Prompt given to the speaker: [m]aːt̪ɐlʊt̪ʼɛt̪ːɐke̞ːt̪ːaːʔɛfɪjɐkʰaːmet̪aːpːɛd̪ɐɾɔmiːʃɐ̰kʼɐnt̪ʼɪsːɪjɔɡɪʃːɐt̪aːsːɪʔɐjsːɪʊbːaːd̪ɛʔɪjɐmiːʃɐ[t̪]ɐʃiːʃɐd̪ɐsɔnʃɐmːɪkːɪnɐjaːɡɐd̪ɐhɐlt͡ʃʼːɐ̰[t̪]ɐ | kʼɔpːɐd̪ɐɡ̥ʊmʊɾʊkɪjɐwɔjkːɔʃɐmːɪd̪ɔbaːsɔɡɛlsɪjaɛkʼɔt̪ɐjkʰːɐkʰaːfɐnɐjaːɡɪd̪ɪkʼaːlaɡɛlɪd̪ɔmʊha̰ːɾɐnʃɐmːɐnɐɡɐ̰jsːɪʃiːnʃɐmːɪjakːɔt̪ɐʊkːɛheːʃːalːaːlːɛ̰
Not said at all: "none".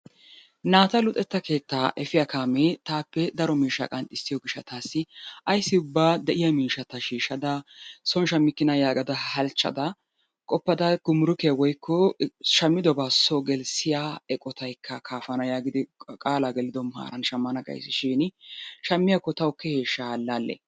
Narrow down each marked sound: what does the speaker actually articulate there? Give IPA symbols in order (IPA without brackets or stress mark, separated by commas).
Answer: n, t̪, d̪